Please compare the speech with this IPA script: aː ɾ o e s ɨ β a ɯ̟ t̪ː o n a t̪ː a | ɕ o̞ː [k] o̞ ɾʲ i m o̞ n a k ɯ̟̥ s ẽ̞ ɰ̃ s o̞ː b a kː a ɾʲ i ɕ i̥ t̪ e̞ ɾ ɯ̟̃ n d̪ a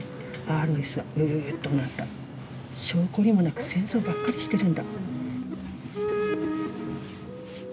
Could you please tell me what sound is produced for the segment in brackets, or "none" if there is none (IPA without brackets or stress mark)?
k